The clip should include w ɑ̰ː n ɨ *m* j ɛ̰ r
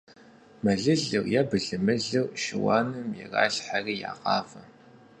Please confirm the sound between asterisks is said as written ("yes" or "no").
yes